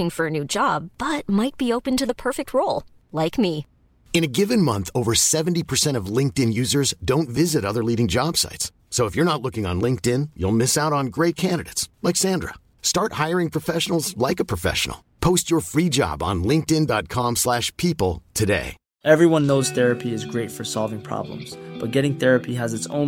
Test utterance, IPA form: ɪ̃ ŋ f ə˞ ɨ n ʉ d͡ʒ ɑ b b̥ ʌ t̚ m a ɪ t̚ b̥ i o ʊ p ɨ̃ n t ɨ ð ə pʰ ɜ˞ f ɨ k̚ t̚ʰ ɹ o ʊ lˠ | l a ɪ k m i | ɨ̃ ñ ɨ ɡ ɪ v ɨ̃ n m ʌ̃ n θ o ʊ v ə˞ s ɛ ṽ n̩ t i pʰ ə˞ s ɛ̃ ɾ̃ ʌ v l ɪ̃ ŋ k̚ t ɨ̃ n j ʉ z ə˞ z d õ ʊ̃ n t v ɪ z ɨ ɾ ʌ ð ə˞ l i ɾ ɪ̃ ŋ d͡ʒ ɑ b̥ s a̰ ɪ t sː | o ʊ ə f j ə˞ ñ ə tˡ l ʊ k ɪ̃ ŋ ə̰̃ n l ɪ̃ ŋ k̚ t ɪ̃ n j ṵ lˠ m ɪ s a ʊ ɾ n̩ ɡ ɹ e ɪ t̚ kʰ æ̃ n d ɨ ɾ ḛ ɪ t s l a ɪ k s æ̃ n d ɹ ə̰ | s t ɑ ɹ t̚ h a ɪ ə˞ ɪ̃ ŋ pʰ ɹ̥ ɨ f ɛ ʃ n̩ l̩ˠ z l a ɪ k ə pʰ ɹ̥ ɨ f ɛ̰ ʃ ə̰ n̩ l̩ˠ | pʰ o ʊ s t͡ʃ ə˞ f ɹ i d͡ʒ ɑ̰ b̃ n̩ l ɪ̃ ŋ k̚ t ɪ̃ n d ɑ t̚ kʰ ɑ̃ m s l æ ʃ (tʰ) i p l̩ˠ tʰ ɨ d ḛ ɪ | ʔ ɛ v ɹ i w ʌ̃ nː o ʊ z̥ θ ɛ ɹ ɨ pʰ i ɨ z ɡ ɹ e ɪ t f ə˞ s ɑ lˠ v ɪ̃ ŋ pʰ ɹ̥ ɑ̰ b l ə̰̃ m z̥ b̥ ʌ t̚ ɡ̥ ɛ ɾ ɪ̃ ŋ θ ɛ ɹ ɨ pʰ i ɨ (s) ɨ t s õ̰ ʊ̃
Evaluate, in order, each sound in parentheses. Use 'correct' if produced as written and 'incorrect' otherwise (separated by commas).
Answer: incorrect, incorrect